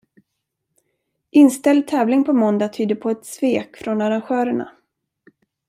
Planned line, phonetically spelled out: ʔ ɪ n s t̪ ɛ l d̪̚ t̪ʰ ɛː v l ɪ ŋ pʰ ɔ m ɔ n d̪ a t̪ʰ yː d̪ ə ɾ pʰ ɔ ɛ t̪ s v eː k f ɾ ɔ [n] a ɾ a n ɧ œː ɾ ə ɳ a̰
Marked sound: correct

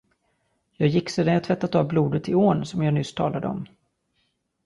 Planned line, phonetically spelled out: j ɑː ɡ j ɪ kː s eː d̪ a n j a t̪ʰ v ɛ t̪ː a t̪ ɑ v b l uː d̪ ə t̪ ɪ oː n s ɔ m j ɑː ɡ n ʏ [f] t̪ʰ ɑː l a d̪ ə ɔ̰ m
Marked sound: incorrect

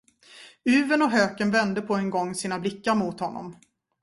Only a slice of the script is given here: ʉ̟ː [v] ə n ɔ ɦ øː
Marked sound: correct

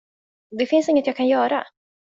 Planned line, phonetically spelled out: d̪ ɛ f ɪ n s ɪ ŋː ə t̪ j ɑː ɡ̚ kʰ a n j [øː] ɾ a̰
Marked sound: incorrect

